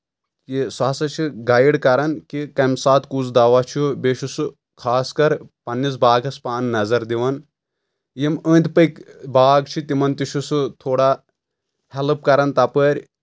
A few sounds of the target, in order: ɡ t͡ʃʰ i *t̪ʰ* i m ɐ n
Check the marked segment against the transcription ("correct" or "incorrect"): incorrect